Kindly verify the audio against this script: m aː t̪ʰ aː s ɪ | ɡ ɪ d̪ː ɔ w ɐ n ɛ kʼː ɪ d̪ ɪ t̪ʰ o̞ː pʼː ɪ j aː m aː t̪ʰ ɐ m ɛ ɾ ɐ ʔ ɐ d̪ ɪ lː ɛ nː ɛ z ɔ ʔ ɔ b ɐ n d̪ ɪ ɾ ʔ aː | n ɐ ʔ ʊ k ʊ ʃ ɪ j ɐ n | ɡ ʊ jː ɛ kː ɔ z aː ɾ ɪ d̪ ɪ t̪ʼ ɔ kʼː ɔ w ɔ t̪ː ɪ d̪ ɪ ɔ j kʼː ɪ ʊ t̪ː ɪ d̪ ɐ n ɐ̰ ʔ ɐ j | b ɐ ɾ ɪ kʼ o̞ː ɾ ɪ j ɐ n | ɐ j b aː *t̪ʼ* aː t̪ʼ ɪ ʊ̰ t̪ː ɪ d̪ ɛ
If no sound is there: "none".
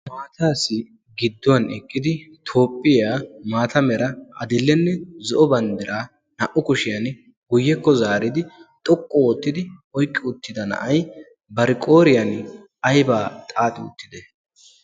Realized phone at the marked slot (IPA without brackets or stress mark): t̪ʼ